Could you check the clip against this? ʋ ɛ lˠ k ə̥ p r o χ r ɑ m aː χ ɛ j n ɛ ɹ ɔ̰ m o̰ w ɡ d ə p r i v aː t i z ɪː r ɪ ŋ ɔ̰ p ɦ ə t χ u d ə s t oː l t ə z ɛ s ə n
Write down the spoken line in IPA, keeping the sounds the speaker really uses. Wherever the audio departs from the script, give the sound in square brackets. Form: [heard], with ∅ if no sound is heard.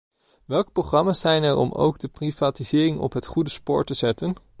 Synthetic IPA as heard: ʋ ɛ lˠ k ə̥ p r o χ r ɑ m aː [s] ɛ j n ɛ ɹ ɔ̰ m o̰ w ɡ d ə p r i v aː t i z ɪː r ɪ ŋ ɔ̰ p ɦ ə t χ u d ə s [p] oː [ɹ] t ə z ɛ [t] ə n